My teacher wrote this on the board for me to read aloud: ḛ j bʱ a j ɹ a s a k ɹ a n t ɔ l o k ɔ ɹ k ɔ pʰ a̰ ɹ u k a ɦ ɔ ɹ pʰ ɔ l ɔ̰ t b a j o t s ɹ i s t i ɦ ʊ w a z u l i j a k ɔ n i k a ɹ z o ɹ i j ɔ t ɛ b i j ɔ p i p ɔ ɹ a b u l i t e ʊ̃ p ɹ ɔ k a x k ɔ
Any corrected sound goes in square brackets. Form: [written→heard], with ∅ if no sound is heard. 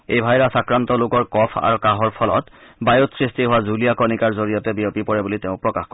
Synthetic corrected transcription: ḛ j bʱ a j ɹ a s a k ɹ a n t ɔ l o k ɔ ɹ k ɔ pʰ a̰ ɹ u k a ɦ ɔ ɹ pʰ ɔ l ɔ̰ t b a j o t s ɹ i s t i ɦ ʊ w a z u l i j a k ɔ n i k a ɹ z o ɹ i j ɔ t ɛ b i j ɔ p i p ɔ ɹ [a→ɛ] b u l i t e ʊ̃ p ɹ ɔ k a x k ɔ